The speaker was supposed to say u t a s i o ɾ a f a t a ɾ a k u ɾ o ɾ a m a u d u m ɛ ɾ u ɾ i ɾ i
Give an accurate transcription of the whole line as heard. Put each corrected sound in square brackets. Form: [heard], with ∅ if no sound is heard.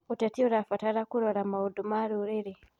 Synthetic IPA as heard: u t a [t] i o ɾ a f a t a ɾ a k u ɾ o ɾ a m a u d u m [a] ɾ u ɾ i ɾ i

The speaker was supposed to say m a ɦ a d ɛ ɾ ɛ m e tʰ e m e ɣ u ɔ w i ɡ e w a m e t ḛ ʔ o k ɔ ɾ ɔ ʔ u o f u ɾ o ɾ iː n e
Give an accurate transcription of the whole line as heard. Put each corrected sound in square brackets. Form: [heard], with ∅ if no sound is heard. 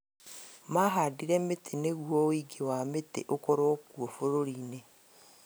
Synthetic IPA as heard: m a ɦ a d [i] ɾ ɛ m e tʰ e [n] e ɣ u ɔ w i ɡ e w a m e t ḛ ʔ o k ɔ ɾ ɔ [k] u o f [o] ɾ o ɾ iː n e

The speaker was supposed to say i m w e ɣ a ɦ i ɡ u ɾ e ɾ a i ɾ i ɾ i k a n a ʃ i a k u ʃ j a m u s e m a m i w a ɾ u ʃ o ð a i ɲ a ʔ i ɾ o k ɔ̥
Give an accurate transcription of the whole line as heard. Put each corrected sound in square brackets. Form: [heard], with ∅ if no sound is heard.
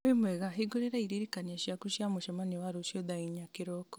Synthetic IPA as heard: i m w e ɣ a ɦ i ɡ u ɾ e ɾ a i ɾ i ɾ i k a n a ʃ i a k u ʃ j a m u [ʃ] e m a [n] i w a ɾ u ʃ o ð a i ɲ a [k] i ɾ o k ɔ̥

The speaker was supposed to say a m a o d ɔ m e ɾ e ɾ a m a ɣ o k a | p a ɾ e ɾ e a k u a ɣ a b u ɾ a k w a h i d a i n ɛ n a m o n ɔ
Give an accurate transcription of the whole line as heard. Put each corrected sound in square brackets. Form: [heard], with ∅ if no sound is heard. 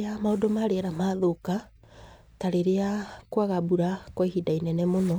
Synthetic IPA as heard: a m a o d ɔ m [a] ɾ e ɾ a m a [ð] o k a | [t] a ɾ e ɾ e a k [w] a ɣ a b u ɾ a k w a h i d a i n ɛ n [ɛ] m o n ɔ

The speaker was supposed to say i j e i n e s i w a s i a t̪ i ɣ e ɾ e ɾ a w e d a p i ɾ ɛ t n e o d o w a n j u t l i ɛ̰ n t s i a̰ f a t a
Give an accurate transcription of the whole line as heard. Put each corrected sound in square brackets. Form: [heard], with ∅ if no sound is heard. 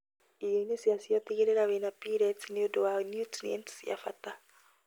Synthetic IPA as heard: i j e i n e s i [∅] a s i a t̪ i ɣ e ɾ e ɾ a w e [n] a p i ɾ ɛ t n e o d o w a n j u t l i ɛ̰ n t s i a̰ f a t a

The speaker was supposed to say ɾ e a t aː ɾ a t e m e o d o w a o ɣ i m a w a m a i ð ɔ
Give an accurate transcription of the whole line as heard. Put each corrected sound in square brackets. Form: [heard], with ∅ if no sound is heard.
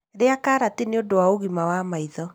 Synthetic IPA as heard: ɾ e a [k] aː ɾ a t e [n] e o d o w a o ɣ i m a w a m a i ð ɔ

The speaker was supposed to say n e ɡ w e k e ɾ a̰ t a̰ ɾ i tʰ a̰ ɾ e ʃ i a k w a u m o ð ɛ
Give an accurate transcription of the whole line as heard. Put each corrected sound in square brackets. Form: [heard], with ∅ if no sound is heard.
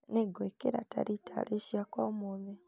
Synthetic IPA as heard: n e ɡ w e k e ɾ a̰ t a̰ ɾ i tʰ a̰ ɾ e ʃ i a k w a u m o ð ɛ

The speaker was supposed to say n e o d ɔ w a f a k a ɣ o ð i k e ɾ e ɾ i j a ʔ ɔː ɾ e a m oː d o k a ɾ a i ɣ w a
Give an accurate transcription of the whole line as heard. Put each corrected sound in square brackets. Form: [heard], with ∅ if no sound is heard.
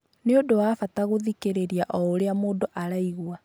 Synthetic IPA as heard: n e o d [o] w a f a [t] a ɣ o ð i k e ɾ e ɾ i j a ʔ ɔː ɾ e a m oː d o [ʔ] a ɾ a i ɣ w a

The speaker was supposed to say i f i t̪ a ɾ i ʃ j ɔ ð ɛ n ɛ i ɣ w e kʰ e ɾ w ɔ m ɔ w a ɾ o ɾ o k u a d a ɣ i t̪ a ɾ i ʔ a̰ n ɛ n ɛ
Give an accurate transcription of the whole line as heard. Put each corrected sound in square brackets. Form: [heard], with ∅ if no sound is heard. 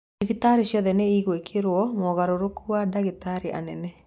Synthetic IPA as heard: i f i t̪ a ɾ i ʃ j ɔ ð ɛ n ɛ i ɣ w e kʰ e ɾ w ɔ m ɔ [ɣ] a ɾ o ɾ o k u a d a ɣ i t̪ a ɾ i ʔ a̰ n ɛ n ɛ

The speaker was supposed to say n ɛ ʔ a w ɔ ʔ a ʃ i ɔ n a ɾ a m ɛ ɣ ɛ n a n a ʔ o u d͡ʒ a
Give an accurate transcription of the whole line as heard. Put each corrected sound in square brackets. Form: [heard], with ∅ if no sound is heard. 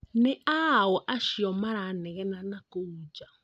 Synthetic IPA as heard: n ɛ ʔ a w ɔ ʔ a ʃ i ɔ [m] a ɾ a [n] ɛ ɣ ɛ n a n a [k] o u d͡ʒ a

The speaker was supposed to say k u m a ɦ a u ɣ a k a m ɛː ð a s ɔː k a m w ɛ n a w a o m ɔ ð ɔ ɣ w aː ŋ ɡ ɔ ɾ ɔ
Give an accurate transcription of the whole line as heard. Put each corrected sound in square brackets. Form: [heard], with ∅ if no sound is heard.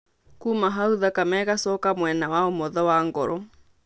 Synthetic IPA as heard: k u m a ɦ a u [ð] a k a m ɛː [ɣ] a s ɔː k a m w ɛ n a w a o m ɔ ð ɔ [∅] w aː ŋ ɡ ɔ ɾ ɔ

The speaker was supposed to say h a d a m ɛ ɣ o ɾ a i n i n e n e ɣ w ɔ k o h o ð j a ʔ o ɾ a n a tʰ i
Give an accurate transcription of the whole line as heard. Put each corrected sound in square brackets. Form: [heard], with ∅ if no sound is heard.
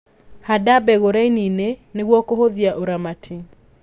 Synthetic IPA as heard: h a d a [b] ɛ ɣ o ɾ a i n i n e n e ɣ w ɔ k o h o ð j a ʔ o ɾ a [m] a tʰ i

